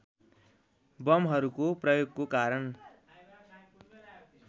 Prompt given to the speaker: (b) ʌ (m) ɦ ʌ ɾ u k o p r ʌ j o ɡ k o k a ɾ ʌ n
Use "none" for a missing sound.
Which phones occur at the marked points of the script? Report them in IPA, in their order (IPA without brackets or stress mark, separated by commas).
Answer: b, m